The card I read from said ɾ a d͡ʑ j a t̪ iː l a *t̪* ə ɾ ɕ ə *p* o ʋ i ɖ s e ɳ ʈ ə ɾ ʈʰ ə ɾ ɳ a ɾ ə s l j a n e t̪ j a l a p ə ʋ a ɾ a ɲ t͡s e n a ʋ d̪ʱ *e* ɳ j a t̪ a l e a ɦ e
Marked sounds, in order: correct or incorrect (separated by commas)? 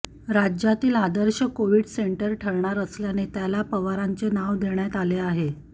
incorrect, incorrect, correct